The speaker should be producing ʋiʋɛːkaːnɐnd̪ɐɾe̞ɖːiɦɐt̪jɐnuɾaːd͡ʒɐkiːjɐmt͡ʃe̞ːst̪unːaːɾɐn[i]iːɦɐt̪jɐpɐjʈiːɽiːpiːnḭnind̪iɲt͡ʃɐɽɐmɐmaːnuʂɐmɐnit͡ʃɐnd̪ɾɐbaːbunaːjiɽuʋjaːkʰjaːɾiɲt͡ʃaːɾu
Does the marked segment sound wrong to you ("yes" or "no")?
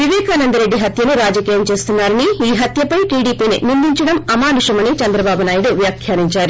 no